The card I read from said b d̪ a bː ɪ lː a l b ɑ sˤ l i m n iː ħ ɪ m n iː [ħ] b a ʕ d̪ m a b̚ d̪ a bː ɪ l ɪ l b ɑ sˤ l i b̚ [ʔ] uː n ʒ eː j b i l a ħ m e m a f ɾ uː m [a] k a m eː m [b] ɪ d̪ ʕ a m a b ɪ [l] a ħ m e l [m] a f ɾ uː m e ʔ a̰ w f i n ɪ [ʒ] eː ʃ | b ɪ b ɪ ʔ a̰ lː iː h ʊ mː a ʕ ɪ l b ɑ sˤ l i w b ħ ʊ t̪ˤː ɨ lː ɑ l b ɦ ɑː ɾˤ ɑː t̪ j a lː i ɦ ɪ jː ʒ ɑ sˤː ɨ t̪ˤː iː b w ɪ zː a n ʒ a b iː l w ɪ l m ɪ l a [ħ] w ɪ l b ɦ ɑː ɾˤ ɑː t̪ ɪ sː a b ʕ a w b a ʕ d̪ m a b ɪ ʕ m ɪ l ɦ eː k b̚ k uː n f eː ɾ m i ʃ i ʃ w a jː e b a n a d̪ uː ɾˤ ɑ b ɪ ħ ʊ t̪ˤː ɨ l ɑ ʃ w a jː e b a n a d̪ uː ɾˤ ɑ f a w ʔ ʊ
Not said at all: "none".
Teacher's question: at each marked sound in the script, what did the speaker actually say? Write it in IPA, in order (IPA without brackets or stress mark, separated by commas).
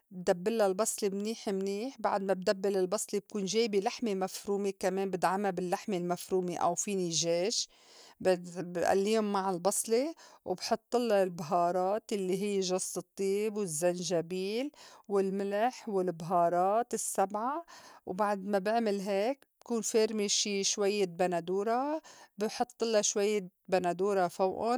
ħ, k, e, b, lː, m, ʒ, ħ